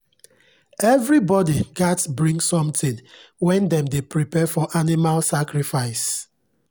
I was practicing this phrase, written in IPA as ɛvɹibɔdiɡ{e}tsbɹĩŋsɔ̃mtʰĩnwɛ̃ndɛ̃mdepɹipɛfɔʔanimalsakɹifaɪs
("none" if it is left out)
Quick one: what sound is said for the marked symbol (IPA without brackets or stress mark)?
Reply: a